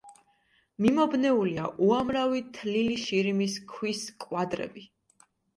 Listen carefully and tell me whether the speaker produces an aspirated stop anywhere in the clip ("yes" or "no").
yes